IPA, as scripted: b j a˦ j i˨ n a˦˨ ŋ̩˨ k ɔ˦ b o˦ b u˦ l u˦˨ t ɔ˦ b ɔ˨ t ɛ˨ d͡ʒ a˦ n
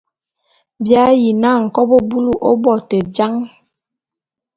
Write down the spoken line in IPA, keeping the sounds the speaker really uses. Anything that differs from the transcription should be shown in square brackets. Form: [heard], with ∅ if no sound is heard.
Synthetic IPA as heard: b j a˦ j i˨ n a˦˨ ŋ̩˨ k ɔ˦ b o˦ b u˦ l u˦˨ [ʔ] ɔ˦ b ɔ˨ t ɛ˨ d͡ʒ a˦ [ŋ]